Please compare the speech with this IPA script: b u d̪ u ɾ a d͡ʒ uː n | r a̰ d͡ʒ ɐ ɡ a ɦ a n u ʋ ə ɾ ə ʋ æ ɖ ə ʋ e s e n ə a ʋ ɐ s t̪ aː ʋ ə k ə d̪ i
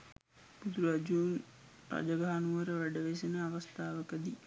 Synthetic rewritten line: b u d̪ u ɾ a d͡ʒ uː n | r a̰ d͡ʒ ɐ ɡ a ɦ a n u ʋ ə ɾ ə ʋ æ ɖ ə ʋ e s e n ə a ʋ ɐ s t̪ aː ʋ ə k ə d̪ i

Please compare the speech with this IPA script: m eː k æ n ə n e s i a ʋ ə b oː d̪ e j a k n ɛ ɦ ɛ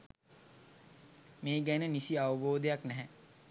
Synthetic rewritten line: m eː ɡ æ n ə n i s i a ʋ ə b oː d̪ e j a k n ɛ ɦ ɛ

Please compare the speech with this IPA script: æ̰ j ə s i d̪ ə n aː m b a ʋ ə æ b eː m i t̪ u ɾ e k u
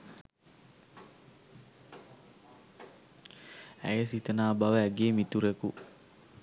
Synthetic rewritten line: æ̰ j ə s i t̪ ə n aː b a ʋ ə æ ɡ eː m i t̪ u ɾ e k u

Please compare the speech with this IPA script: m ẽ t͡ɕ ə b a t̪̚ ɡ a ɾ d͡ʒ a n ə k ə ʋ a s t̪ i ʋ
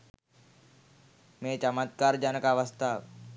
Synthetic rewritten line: m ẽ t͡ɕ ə m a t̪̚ k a ɾ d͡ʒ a n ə k a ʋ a s t̪ a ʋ

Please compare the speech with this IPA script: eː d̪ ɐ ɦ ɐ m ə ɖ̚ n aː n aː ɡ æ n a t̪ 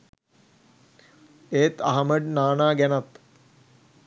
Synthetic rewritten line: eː t̪ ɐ ɦ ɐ m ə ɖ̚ n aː n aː ɡ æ n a t̪

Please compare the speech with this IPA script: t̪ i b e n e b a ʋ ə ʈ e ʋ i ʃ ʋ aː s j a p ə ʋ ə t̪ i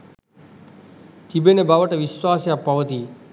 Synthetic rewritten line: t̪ i b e n e b a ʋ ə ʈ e ʋ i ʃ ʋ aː s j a p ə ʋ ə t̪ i

